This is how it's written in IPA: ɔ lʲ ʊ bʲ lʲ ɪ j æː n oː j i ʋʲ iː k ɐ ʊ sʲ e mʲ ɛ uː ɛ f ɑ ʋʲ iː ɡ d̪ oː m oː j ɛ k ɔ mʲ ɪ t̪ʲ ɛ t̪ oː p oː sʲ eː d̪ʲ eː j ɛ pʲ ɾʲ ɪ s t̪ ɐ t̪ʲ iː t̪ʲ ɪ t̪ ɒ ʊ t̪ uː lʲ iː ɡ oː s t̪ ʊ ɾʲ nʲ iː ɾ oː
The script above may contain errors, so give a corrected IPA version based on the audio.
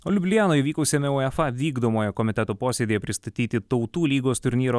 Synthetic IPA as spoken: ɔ lʲ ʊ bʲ lʲ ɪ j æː n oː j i ʋʲ iː k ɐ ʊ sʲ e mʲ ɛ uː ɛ f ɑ ʋʲ iː ɡ d̪ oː m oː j ɛ k ɔ mʲ ɪ t̪ʲ ɛ t̪ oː p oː sʲ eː d̪ʲ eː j ɛ pʲ ɾʲ ɪ s t̪ ɐ t̪ʲ iː t̪ʲ ɪ t̪ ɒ ʊ t̪ uː lʲ iː ɡ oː s t̪ ʊ ɾʲ nʲ iː ɾ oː

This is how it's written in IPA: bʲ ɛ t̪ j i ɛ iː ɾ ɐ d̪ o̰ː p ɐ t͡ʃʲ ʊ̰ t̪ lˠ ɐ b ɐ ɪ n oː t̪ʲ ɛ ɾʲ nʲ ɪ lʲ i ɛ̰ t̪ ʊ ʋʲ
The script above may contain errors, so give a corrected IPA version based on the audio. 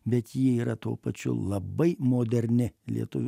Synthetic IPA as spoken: bʲ ɛ t̪ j i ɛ iː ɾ ɐ t̪ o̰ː p ɐ t͡ʃʲ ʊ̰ lˠ ɐ b ɐ ɪ m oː d̪ʲ ɛ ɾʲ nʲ ɪ lʲ i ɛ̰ t̪ ʊ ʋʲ

